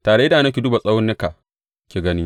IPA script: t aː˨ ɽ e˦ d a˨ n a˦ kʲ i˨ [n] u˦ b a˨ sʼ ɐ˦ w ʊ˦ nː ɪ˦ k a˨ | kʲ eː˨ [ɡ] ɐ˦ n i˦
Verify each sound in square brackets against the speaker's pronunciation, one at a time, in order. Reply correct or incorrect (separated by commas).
incorrect, correct